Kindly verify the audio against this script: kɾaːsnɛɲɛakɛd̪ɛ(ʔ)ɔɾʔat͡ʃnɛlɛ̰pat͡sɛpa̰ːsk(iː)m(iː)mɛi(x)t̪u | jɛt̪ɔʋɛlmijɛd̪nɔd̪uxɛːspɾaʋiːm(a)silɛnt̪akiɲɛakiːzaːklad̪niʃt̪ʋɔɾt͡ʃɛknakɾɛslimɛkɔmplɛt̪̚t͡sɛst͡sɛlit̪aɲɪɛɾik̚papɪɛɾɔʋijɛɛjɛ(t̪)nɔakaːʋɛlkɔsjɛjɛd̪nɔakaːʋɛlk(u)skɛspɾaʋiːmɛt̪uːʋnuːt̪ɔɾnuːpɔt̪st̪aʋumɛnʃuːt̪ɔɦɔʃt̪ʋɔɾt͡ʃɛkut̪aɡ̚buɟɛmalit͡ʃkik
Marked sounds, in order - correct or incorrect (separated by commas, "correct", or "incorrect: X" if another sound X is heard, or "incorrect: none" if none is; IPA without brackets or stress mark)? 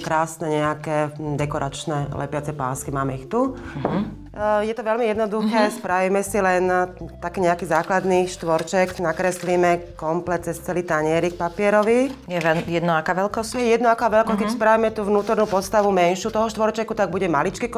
incorrect: k, incorrect: i, incorrect: aː, correct, incorrect: ɛ, incorrect: d̪, incorrect: ɔ